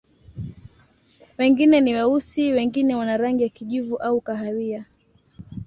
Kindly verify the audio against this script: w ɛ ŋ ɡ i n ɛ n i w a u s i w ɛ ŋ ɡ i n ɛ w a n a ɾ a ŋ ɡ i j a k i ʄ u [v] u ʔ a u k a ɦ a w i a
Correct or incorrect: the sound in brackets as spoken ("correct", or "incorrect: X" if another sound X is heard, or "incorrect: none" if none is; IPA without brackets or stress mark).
correct